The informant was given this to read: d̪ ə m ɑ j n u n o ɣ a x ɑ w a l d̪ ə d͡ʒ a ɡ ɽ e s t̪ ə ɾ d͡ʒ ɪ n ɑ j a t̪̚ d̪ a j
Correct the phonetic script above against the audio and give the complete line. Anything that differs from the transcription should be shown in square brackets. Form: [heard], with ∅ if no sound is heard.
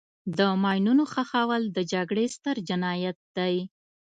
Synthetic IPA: d̪ ə m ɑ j n u n o [x] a x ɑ w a l d̪ ə d͡ʒ a ɡ ɽ e s t̪ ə ɾ d͡ʒ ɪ n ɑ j a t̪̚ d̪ a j